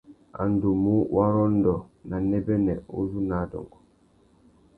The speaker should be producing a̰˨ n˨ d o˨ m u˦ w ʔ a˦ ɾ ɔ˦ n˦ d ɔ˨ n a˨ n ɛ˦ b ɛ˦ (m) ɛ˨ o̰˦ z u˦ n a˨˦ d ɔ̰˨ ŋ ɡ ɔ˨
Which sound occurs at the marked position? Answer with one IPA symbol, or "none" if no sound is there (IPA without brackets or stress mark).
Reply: n